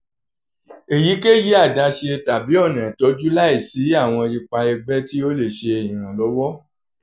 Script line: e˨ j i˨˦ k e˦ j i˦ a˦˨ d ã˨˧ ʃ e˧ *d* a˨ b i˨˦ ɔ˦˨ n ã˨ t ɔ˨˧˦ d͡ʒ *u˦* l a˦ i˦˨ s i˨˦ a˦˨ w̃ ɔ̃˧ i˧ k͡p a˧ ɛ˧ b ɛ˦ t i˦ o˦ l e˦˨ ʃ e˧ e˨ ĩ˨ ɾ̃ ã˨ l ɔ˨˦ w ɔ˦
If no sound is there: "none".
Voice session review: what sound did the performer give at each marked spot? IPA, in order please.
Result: t, u˦

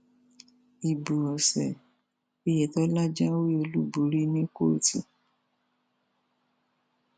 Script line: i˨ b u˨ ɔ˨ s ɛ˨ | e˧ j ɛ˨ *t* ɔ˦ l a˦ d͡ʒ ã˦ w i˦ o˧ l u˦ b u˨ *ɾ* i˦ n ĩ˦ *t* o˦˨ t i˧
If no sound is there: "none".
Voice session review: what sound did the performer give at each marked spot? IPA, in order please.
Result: t, ɾ, k

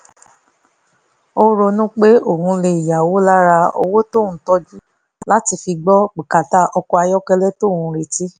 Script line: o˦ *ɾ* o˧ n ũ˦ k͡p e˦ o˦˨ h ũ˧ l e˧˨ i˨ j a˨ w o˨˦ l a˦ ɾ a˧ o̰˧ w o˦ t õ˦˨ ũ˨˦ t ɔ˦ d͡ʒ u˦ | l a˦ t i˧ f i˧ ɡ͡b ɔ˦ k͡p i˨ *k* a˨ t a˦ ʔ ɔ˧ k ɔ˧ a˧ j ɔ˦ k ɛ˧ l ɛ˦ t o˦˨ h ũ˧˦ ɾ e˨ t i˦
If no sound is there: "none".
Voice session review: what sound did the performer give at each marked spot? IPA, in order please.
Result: ɾ, k

